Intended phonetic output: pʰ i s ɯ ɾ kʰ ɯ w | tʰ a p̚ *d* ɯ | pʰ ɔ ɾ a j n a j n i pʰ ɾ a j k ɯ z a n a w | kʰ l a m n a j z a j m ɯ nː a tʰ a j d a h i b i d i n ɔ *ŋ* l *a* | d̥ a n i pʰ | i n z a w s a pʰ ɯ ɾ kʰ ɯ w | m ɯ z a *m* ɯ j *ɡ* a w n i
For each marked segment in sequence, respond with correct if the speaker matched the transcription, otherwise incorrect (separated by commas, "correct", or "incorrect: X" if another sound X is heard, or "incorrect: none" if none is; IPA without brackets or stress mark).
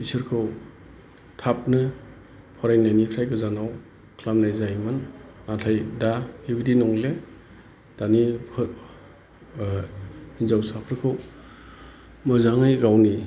incorrect: n, correct, incorrect: e, incorrect: ŋ, correct